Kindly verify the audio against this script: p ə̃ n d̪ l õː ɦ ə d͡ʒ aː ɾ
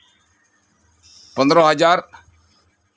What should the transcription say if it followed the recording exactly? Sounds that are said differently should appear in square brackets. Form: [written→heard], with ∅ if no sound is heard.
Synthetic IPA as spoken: p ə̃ n d̪ [l→ɾ] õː ɦ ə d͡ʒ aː ɾ